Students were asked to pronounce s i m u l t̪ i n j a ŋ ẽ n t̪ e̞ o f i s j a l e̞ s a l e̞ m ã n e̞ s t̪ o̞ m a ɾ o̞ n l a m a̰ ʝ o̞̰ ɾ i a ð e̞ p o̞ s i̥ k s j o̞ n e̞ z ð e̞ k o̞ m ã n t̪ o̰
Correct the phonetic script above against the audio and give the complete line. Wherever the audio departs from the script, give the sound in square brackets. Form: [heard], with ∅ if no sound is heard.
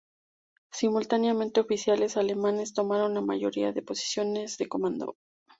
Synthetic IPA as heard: s i m u l t̪ [a] n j a [m] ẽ n t̪ e̞ o f i s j a l e̞ s a l e̞ m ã n e̞ s t̪ o̞ m a ɾ o̞ n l a m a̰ ʝ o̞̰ ɾ i a ð e̞ p o̞ s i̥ [∅] s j o̞ n e̞ z ð e̞ k o̞ m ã n [d̪] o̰